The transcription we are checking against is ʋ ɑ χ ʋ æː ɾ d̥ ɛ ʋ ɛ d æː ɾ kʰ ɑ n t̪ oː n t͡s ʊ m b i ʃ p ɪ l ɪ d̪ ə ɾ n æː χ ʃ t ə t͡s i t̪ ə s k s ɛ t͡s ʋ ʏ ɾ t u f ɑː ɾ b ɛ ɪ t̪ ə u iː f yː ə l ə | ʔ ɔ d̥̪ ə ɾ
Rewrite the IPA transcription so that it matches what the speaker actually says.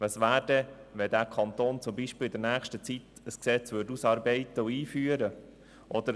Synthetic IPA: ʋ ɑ s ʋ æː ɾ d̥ ɛ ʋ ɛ d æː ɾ kʰ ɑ n t̪ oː n t͡s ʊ m b i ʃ p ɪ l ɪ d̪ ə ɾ n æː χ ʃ t ə t͡s i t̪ ə s k s ɛ t͡s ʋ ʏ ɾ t u s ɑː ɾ b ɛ ɪ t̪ ə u iː f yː ə ɾ ə | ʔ ɔ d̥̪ ə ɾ